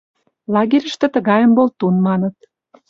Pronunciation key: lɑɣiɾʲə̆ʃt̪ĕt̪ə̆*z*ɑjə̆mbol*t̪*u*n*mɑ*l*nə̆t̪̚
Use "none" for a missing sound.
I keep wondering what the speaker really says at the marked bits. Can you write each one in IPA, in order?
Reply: ɣ, t̪, n, none

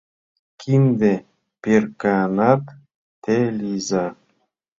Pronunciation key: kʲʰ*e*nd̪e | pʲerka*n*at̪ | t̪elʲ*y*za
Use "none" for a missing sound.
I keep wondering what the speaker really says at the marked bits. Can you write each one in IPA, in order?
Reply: i, n, i

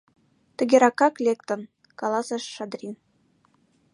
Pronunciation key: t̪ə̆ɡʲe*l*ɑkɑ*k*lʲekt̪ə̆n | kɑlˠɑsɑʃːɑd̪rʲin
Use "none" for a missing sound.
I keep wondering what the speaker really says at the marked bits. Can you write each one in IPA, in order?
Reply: ɾ, k

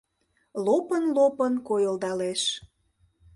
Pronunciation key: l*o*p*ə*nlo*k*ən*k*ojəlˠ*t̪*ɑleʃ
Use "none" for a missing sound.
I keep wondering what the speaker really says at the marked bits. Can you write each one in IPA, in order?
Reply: o, ə, p, k, d̪

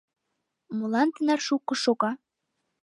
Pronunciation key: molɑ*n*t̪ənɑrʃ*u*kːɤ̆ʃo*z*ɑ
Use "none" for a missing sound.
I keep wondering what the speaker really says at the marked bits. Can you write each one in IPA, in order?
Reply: n, u, ɣ

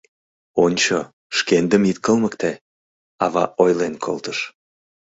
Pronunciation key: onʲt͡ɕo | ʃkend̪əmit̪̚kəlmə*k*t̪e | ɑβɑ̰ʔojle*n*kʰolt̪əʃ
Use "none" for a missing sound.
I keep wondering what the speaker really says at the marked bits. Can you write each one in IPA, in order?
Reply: k, n

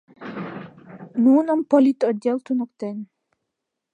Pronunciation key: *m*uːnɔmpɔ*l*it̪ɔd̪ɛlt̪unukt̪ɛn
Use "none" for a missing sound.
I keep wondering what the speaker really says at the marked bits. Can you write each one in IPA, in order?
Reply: n, l

